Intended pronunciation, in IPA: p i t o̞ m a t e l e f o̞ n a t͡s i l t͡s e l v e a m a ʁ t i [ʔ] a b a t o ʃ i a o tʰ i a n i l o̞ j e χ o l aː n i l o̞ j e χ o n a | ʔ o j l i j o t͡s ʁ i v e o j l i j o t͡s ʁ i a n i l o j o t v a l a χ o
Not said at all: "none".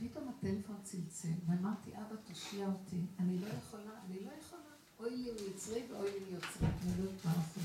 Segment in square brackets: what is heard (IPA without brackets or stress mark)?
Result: ʔ